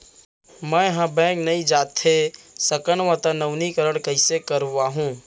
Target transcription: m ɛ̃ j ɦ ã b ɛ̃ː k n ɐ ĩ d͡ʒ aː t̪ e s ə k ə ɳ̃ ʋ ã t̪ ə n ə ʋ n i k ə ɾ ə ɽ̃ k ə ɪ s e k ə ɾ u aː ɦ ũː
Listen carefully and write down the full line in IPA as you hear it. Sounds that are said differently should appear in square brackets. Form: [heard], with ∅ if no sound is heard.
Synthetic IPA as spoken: m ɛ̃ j ɦ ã b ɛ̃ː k n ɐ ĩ d͡ʒ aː t̪ e s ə k ə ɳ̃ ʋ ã t̪ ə n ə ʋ n i k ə ɾ ə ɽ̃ k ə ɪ s e k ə ɾ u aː ɦ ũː